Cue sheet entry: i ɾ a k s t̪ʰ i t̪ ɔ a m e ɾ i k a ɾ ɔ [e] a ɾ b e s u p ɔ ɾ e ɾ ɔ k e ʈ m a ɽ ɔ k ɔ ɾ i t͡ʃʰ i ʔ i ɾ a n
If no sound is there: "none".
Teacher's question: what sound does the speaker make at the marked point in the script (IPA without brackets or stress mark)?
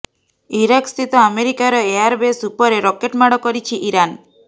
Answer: e